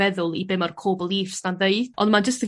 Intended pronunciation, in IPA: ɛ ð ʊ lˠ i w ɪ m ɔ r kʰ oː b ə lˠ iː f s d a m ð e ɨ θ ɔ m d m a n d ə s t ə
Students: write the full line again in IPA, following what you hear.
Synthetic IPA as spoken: ɛ ð ʊ lˠ i b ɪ m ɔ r kʰ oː b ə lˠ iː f s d a n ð e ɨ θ ɔ n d m a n d͡ʒ ə s t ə